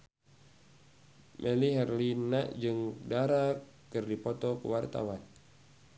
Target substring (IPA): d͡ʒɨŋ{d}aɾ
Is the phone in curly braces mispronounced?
no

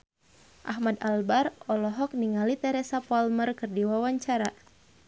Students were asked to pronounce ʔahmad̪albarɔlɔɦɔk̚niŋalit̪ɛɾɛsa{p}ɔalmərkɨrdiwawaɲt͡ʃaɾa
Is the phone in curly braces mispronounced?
no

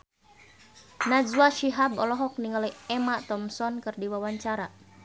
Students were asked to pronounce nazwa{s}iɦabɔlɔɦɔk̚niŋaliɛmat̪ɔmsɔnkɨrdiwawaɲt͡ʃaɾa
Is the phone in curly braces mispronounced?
yes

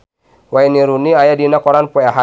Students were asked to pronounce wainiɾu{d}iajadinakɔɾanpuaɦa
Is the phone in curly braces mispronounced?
yes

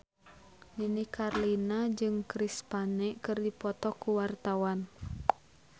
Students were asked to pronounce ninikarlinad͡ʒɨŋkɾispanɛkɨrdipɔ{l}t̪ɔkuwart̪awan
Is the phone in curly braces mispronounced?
yes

